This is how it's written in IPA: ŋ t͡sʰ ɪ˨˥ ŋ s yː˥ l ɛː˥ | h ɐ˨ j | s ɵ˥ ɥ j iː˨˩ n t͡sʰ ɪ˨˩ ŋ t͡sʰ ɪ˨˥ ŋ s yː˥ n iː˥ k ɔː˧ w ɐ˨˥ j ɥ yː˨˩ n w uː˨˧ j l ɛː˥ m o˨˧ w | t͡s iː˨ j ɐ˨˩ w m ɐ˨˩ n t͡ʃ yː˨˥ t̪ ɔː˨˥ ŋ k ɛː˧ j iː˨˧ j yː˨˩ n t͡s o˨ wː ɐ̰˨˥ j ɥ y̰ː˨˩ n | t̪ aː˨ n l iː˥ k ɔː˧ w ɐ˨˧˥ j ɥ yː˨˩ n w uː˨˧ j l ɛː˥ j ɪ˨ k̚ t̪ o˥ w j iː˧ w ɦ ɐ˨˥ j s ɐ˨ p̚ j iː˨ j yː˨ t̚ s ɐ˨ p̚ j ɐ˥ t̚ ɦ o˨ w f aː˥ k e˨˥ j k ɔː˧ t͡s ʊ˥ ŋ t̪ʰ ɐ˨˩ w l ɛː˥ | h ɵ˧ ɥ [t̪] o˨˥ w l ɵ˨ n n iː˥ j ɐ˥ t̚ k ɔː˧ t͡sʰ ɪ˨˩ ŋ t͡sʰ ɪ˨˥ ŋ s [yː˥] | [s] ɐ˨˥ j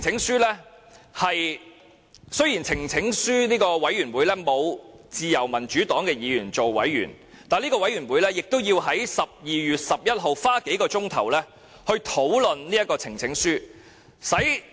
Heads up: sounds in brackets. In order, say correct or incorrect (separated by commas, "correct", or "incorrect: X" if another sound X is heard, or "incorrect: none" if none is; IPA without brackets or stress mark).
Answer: incorrect: t̪ʰ, correct, correct